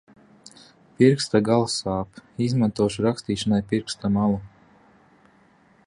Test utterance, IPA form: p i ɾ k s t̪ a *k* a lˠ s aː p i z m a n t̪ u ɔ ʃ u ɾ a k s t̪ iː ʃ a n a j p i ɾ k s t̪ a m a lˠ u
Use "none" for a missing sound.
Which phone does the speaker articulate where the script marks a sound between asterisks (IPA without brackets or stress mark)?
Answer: ɡ